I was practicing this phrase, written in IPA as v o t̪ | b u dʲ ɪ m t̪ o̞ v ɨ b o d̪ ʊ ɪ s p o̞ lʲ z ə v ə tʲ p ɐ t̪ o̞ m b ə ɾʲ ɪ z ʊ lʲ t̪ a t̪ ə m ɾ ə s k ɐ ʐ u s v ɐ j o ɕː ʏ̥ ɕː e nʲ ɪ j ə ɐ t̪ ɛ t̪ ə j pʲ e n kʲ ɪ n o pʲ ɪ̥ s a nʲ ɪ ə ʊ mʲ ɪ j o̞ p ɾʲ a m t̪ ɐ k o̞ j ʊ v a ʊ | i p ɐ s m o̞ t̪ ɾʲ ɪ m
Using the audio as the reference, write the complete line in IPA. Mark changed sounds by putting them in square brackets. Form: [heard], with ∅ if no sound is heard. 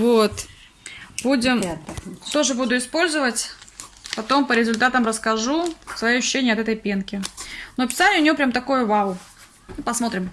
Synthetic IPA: v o t̪ | b u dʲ ɪ m t̪ o̞ [ʐ] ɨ b [u] d̪ ʊ ɪ s p o̞ lʲ z ə v ə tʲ p ɐ t̪ o̞ m [p] ə ɾʲ ɪ z ʊ lʲ t̪ a t̪ ə m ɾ ə s k ɐ ʐ u s v ɐ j o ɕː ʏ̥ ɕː e nʲ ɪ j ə ɐ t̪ ɛ t̪ ə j pʲ e n kʲ ɪ n o pʲ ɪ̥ s a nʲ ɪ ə ʊ [nʲ] ɪ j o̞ p ɾʲ a m t̪ ɐ k o̞ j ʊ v a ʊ | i p ɐ s m o̞ t̪ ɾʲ ɪ m